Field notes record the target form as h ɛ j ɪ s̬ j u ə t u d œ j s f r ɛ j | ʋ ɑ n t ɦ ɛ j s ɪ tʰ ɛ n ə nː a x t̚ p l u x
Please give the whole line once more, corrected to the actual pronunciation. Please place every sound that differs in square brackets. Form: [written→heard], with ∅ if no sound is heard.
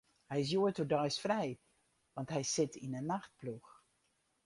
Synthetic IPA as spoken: h ɛ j ɪ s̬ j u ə t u d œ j s f r ɛ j | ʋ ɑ n t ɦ ɛ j s ɪ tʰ [ɛ→i] n ə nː a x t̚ p l u x